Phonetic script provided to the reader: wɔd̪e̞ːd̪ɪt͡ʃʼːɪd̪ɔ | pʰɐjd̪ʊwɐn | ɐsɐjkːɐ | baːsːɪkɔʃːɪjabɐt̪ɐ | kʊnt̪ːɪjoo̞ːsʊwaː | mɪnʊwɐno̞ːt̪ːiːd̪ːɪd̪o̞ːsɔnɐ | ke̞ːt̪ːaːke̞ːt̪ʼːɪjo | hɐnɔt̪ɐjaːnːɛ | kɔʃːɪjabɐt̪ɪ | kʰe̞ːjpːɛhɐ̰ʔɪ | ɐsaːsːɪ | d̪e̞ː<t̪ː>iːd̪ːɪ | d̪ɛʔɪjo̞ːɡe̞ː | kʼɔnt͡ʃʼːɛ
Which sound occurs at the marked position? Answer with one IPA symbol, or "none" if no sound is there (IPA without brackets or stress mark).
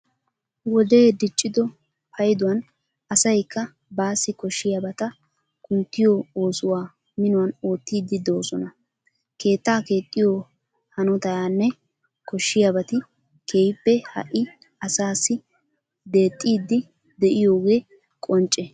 t̪ʼː